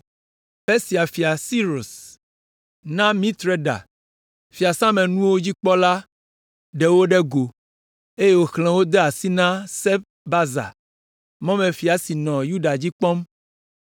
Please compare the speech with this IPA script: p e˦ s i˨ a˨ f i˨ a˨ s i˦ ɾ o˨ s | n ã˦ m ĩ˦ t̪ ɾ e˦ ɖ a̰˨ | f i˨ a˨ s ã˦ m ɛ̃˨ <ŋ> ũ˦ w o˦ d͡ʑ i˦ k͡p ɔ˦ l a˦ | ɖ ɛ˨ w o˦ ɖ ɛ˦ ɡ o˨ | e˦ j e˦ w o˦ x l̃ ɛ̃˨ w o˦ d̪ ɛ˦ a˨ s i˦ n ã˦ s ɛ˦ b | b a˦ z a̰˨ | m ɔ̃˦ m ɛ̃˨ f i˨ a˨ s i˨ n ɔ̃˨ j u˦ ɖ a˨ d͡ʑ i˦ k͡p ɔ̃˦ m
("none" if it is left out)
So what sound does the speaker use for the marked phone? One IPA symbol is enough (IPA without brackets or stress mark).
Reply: n